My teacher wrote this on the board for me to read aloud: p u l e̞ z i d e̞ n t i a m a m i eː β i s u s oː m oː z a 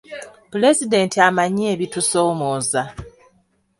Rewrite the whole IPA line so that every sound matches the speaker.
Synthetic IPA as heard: p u l e̞ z i d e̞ n t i a m a ɲ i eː β i t u s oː m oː z a